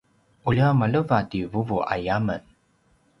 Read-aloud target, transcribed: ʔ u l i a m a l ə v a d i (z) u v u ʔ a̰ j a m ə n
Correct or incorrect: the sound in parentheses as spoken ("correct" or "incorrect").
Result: incorrect